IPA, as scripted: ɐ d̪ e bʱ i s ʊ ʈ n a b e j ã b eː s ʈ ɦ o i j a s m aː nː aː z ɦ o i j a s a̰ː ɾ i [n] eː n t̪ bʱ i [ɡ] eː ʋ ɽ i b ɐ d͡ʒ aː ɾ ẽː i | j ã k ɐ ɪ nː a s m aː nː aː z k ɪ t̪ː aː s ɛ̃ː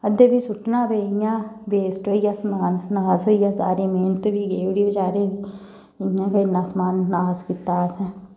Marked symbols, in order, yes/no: no, yes

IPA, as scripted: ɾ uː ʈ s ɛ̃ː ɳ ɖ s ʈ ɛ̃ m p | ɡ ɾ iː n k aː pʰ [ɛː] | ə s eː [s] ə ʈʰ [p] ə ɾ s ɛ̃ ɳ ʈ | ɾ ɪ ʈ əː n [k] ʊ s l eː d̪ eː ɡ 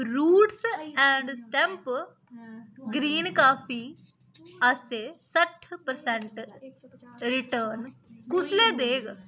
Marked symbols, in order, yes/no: no, yes, yes, yes

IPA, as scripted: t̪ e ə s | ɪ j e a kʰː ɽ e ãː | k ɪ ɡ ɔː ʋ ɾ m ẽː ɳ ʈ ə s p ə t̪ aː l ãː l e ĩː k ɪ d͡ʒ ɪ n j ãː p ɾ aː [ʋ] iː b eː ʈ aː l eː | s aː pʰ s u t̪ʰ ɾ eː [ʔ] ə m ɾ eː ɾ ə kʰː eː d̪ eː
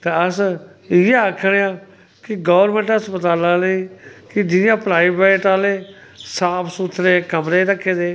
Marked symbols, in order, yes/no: no, no

